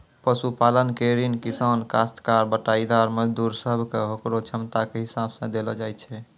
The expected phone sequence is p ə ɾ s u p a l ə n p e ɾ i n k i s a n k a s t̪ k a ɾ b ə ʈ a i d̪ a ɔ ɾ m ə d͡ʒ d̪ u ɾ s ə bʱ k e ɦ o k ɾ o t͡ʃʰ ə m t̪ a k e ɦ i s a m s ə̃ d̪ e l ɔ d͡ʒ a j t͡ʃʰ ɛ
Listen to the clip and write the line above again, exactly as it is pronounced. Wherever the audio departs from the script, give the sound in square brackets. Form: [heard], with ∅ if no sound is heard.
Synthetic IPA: p ə [∅] s u p a l ə n [k] e ɾ i n k i s a n k a s t̪ k a ɾ b ə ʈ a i d̪ a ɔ ɾ m ə d͡ʒ d̪ u ɾ s ə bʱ k e ɦ o k ɾ o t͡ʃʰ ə m t̪ a k e ɦ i s a [b] s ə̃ d̪ e l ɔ d͡ʒ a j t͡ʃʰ ɛ

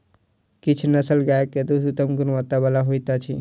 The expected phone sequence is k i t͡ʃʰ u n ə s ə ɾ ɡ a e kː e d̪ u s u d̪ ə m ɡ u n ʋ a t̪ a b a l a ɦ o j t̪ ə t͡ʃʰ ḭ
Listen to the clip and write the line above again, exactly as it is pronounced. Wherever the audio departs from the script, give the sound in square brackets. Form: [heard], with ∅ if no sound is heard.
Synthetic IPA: k i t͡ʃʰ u n ə s ə [l] ɡ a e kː e d̪ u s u [t̪] ə m ɡ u n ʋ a t̪ a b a l a ɦ o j t̪ [a] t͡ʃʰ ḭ

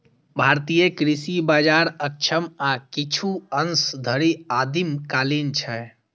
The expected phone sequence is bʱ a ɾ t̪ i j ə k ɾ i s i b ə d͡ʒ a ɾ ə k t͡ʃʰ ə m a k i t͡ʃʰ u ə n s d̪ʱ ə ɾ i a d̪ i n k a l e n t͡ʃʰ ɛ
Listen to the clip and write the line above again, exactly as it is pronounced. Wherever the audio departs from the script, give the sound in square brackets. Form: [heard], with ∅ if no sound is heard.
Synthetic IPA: bʱ a ɾ t̪ i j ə k ɾ i s i b [a] d͡ʒ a ɾ ə k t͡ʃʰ ə m a k i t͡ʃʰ u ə n s d̪ʱ ə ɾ i a d̪ i [m] k a l [i] n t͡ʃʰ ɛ

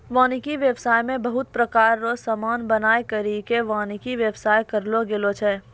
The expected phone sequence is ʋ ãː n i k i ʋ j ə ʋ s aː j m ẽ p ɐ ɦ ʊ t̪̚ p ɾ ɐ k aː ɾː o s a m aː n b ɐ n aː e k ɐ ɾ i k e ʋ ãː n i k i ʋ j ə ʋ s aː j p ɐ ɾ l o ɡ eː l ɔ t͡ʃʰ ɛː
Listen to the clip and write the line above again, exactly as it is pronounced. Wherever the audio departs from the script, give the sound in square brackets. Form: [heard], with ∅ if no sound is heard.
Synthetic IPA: ʋ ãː n i k i ʋ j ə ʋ s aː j m ẽ [b] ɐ ɦ ʊ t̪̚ p ɾ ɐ k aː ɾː o s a m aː n b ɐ n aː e k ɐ ɾ i k e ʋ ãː n i k i ʋ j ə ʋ s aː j [k] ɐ ɾ l o ɡ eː l [o] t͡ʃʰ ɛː

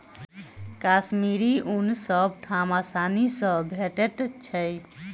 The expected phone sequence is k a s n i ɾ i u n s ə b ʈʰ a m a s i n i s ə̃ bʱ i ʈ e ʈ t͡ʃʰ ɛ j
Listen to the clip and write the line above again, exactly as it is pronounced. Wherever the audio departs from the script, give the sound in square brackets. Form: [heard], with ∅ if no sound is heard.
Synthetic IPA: k a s [m] i ɾ i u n s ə b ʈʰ a m a s [a] n i s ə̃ bʱ [e] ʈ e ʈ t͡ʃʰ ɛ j

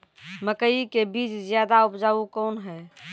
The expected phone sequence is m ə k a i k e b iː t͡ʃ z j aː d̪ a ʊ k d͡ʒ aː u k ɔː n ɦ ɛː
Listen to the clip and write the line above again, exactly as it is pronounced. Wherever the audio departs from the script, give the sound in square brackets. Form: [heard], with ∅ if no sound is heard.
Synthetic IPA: m ə k [ə] i k e b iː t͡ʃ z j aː d̪ a ʊ [p] d͡ʒ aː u k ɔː n ɦ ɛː

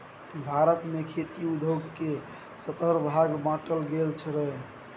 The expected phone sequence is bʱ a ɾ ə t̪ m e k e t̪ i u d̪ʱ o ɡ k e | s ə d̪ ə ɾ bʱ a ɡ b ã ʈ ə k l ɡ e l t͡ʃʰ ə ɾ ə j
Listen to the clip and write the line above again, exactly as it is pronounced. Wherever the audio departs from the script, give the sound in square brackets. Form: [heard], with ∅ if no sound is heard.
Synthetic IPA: bʱ a ɾ ə t̪ m e [kʰ] e t̪ i u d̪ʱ o ɡ k e | s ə [t̪] ə ɾ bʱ a ɡ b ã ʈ ə [∅] l ɡ e l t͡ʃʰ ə ɾ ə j

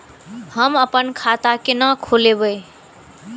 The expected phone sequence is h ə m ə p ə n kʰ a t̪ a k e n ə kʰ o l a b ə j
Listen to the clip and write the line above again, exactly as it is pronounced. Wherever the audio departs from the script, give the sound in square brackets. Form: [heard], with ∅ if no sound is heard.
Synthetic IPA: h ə m ə p ə n kʰ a t̪ a k e n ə kʰ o l [e] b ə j

